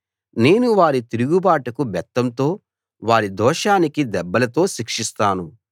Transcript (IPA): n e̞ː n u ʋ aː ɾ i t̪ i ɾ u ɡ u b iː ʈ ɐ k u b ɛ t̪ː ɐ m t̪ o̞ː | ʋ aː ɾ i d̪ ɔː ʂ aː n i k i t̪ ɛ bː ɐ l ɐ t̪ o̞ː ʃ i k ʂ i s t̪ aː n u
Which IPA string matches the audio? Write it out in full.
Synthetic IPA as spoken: n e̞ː n u ʋ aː ɾ i t̪ i ɾ u ɡ u b aː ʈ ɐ k u b ɛ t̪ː ɐ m t̪ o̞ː | ʋ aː ɾ i d̪ ɔː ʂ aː n i k i d̪ ɛ bː ɐ l ɐ t̪ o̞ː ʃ i k ʂ i s t̪ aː n u